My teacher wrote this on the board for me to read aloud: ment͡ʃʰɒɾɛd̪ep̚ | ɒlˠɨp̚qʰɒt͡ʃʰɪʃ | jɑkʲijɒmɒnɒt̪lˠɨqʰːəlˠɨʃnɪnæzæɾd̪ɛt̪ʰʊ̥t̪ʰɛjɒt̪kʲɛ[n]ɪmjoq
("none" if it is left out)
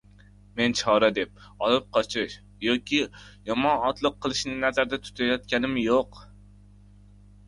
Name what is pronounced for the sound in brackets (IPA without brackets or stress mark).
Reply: n